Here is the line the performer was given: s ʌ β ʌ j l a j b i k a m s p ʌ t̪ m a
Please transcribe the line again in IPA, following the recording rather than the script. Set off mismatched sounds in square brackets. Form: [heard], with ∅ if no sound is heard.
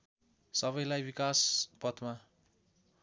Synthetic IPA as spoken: s ʌ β ʌ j l a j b i k a [∅] s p ʌ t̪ m a